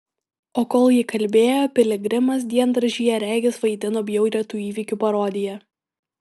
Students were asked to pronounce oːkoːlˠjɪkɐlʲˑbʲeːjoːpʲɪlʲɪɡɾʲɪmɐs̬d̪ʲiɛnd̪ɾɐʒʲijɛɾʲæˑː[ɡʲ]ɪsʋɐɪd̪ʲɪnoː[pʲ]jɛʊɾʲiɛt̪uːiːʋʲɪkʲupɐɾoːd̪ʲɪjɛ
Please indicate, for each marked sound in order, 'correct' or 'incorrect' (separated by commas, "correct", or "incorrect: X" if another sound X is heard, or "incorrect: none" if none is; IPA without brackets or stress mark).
correct, incorrect: bʲ